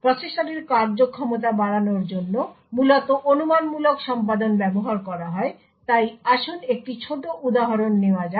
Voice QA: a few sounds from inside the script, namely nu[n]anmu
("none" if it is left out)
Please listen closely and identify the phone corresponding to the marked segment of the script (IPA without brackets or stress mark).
m